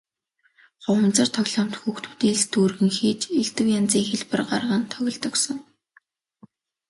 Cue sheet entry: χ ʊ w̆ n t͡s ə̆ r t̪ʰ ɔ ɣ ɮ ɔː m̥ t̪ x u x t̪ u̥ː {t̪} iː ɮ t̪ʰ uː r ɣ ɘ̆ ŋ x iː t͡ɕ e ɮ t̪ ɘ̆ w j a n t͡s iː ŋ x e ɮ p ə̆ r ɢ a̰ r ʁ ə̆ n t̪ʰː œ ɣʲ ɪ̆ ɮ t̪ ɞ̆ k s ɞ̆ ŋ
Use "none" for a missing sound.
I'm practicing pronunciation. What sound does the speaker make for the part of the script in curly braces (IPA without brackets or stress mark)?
t̪